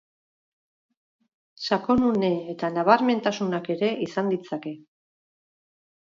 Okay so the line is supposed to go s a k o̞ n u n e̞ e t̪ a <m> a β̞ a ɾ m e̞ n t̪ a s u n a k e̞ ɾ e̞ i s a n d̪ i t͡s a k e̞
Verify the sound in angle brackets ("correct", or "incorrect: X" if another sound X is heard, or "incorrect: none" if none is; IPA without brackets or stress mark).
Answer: incorrect: n